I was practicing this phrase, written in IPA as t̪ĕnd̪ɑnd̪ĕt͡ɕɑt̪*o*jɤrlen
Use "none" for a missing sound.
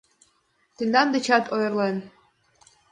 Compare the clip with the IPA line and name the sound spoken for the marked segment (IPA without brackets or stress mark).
o